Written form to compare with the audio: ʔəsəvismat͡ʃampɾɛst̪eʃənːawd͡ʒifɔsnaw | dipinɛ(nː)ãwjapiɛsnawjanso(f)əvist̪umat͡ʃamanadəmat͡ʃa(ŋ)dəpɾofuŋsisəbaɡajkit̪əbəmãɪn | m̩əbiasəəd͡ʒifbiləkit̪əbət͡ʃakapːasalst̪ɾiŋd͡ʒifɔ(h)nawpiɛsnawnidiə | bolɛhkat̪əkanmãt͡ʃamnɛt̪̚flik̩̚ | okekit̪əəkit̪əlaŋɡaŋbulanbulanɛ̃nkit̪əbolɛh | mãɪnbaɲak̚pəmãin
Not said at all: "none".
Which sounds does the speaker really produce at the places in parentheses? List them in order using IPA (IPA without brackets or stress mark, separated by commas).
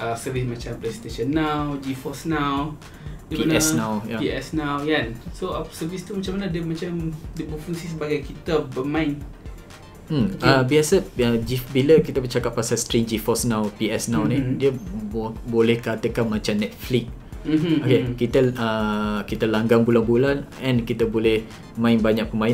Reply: n, s, m, s